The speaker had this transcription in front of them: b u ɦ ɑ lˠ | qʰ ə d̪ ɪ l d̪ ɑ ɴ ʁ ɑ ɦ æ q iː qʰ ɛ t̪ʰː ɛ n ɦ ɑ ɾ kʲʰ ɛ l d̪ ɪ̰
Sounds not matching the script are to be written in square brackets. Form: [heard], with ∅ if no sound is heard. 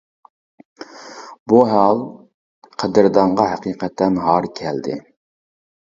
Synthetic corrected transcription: b u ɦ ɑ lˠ | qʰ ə d̪ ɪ [ɾ] d̪ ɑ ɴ ʁ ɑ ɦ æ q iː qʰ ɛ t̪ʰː ɛ n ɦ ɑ ɾ kʲʰ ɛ l d̪ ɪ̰